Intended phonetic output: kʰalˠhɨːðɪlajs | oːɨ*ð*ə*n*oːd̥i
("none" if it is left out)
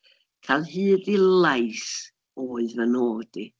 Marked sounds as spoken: v, n

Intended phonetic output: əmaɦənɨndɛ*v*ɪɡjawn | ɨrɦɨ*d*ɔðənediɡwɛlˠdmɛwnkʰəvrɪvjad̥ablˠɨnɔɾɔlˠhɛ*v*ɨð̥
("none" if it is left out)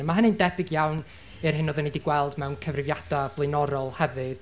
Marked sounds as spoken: b, n, v

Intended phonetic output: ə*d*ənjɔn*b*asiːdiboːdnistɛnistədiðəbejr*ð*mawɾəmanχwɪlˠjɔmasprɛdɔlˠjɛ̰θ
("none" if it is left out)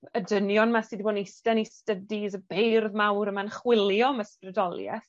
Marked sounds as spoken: d, m, ð

